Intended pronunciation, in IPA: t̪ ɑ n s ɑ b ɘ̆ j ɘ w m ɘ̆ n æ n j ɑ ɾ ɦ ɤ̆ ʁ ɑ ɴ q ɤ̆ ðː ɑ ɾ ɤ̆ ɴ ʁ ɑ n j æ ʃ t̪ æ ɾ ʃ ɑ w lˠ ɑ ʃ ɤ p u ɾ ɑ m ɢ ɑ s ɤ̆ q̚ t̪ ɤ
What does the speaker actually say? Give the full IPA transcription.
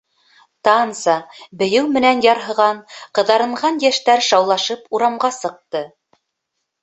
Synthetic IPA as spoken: t̪ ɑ n s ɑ b ɘ̆ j ɘ w m ɘ̆ n æ n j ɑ ɾ ɦ ɤ̆ ʁ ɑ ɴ q ɤ̆ ð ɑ ɾ ɤ̆ ɴ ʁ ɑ n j æ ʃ t̪ æ ɾ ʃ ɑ w lˠ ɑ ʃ ɤ p u ɾ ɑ m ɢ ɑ s ɤ̆ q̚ t̪ ɤ